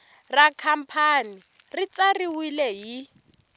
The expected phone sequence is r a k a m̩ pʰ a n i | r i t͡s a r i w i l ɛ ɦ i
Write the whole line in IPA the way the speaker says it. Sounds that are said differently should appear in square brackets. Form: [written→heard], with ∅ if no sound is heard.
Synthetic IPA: r a [k→kʰ] a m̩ pʰ a n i | r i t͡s a r i w i l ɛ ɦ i